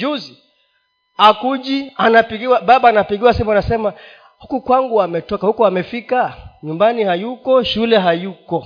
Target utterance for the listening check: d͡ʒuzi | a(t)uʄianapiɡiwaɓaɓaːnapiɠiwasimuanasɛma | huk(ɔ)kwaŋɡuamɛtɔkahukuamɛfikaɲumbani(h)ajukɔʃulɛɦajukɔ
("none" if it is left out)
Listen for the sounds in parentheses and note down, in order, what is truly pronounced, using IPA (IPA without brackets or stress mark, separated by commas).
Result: k, u, h